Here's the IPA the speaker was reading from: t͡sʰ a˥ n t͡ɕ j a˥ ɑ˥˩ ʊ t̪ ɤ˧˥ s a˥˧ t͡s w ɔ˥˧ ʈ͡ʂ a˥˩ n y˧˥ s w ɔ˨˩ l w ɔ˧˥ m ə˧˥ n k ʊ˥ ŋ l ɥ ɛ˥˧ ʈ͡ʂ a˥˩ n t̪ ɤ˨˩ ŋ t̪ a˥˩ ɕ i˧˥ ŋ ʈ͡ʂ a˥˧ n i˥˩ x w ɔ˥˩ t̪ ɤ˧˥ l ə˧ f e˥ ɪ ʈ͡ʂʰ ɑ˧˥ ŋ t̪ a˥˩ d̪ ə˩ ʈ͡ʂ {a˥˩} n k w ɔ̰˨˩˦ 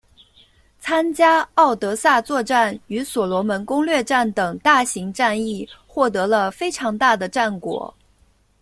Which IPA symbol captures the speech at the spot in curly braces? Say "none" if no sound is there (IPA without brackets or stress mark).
a˥˩